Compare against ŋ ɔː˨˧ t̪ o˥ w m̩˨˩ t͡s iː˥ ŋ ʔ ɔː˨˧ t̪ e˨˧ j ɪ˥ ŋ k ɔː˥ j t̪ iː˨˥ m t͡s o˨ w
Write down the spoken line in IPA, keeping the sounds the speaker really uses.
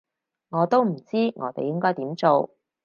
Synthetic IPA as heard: ŋ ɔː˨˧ t̪ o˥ w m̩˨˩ t͡s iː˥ ŋ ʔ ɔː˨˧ t̪ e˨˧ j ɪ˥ ŋ k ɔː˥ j t̪ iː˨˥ m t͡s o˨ w